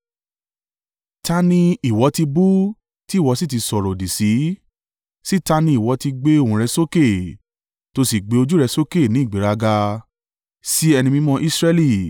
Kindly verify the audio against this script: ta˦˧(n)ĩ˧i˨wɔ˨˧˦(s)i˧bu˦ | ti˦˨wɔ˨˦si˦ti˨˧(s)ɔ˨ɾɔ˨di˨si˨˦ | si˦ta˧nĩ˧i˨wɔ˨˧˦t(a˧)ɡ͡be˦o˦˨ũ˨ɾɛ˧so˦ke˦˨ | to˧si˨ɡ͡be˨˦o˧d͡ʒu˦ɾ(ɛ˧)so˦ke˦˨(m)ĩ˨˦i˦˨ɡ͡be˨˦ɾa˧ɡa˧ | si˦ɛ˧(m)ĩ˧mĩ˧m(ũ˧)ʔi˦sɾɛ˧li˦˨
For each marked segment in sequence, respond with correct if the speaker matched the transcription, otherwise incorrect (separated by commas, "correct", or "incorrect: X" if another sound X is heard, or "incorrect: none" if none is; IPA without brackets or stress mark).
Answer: correct, incorrect: t, correct, incorrect: i˧, correct, incorrect: n, incorrect: n, incorrect: ɔ̃˧